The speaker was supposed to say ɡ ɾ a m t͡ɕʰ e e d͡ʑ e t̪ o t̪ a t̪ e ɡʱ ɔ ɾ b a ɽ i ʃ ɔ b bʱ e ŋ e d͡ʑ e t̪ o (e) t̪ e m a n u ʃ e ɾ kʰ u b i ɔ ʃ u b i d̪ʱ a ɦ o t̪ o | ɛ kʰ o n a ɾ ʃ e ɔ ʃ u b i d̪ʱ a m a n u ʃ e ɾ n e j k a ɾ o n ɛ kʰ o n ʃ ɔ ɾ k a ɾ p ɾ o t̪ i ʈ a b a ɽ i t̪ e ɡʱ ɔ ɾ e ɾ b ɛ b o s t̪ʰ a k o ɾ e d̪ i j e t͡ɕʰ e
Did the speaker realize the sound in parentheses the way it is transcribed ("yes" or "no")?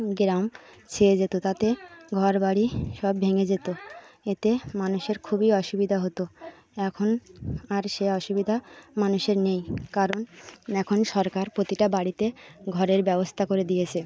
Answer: yes